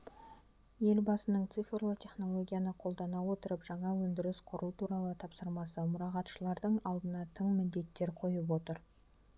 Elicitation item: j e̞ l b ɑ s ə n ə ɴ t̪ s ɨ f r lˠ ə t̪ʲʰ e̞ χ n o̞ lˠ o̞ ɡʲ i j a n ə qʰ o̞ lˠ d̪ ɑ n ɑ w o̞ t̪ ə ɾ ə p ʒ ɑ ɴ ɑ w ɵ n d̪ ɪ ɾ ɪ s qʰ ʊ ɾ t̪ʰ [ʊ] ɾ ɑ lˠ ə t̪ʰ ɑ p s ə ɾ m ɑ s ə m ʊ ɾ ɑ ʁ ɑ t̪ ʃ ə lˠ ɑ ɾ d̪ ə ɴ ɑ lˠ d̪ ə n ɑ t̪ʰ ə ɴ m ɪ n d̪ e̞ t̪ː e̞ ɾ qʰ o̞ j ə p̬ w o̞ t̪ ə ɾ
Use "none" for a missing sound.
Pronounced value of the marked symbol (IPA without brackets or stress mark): u